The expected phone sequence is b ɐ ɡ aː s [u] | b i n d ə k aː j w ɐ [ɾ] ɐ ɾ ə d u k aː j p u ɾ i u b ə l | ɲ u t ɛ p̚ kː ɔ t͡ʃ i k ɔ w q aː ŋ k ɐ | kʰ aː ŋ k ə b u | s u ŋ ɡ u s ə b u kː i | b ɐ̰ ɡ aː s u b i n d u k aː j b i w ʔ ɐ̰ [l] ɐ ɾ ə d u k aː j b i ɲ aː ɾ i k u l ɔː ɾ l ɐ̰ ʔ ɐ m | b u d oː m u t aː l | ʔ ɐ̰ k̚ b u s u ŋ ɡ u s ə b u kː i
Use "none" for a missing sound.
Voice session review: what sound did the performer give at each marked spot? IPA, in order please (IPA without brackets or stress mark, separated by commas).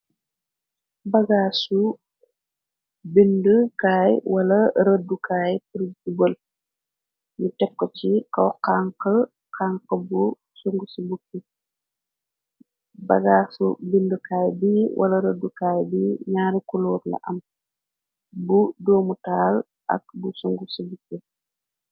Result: u, l, l